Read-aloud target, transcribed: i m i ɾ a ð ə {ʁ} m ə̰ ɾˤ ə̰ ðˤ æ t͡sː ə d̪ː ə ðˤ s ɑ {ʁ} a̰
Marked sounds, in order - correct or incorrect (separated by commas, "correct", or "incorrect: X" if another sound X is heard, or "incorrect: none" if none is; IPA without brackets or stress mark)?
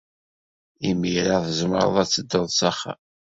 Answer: incorrect: z, incorrect: χ